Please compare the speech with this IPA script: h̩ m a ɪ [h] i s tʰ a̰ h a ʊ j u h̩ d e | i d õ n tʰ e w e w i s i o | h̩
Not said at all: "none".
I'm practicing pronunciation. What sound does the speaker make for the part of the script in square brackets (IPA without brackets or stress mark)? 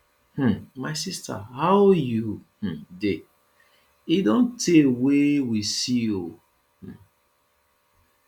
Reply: s